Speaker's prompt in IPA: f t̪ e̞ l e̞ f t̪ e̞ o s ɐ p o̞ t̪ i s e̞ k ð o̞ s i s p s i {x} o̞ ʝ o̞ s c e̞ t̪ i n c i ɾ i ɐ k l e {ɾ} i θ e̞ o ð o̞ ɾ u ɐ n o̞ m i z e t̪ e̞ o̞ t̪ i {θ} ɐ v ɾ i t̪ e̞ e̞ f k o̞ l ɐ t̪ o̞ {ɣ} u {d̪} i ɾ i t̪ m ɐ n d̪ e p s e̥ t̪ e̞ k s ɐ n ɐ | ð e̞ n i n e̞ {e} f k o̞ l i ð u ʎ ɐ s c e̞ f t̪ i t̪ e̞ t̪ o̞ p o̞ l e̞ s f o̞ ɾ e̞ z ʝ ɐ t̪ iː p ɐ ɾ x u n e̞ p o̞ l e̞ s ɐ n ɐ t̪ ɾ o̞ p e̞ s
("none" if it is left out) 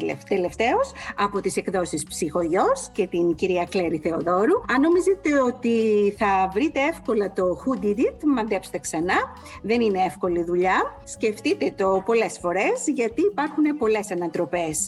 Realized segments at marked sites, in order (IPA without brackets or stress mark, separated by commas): x, ɾ, θ, x, d̪, e